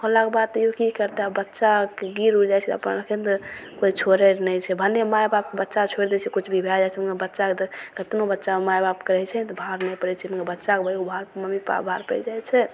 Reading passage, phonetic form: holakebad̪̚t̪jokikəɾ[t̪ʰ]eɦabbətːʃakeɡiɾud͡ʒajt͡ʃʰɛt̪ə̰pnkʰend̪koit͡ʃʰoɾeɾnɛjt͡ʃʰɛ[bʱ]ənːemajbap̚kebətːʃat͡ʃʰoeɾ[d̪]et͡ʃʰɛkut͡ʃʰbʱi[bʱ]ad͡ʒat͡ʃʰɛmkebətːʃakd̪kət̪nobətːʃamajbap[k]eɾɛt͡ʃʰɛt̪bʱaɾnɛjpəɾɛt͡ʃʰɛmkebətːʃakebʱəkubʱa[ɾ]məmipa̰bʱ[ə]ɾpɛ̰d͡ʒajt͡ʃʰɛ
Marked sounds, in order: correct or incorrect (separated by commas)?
incorrect, correct, correct, correct, correct, correct, incorrect